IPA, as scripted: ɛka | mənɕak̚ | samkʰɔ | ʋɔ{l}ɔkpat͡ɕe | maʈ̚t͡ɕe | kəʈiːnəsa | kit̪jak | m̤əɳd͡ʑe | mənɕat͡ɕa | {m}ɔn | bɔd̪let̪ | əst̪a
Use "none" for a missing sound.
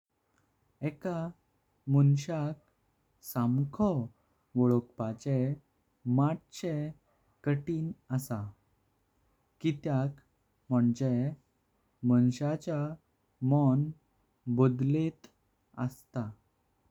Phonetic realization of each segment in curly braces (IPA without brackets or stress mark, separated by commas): ɭ, m